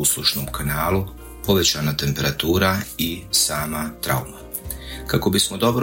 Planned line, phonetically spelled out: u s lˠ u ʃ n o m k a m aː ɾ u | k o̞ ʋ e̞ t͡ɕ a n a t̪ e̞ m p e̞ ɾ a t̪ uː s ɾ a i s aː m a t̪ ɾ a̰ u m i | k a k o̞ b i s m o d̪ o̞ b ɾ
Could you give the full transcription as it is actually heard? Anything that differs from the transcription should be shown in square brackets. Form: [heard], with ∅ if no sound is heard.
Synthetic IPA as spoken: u s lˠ u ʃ n o m k a [n] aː [l] u | [p] o̞ ʋ e̞ t͡ɕ a n a t̪ e̞ m p e̞ ɾ a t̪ uː [∅] ɾ a i s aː m a t̪ ɾ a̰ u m [a] | k a k o̞ b i s m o d̪ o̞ b ɾ